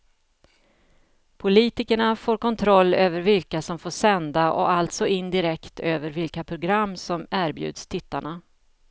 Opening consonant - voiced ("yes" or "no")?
no